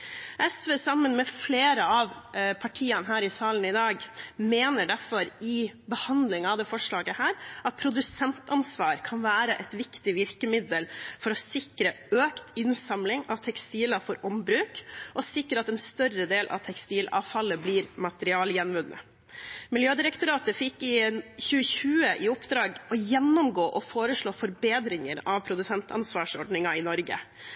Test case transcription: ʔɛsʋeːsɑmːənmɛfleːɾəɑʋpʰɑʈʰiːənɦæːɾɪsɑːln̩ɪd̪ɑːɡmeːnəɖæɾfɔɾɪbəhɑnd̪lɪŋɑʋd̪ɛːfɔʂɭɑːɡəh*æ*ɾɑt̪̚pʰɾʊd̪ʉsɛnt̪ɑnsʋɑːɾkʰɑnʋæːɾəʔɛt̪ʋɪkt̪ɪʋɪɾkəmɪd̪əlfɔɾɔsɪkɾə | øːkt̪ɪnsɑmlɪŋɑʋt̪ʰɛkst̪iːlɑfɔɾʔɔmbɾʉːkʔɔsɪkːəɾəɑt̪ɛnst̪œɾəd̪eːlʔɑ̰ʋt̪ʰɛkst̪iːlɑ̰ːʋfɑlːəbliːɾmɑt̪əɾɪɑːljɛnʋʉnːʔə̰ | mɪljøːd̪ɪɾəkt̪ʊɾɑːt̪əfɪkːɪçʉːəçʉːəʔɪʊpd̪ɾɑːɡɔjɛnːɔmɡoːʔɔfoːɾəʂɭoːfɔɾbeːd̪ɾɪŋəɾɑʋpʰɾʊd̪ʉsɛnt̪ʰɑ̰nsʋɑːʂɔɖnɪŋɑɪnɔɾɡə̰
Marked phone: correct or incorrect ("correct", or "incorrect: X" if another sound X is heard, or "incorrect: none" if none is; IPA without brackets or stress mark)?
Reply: incorrect: æː